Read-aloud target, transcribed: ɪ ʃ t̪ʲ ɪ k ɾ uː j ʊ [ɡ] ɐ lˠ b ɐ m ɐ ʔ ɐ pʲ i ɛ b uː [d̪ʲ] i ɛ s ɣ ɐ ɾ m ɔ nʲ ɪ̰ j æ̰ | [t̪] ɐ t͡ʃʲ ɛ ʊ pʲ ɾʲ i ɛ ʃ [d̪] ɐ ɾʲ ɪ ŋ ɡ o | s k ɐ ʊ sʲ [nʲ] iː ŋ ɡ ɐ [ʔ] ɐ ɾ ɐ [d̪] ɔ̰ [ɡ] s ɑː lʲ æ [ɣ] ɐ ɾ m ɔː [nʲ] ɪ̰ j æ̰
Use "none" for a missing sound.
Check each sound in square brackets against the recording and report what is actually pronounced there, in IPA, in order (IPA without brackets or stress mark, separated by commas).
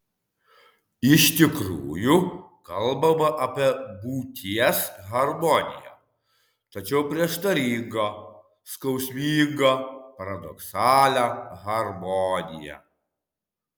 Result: k, t̪ʲ, t̪, t̪, mʲ, p, d̪, k, ɣ, nʲ